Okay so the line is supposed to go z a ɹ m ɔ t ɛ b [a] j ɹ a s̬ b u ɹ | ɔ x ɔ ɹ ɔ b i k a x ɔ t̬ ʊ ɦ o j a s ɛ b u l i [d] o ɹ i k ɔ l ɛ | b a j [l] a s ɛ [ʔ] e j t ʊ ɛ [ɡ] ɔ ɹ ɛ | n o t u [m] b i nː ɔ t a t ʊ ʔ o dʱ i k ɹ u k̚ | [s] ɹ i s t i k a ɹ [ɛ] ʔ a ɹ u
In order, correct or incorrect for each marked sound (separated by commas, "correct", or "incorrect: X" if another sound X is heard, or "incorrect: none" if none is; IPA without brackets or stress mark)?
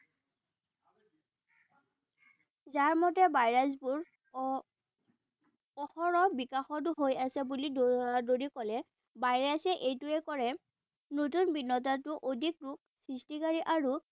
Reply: correct, correct, incorrect: ɹ, correct, incorrect: k, incorrect: n, correct, incorrect: i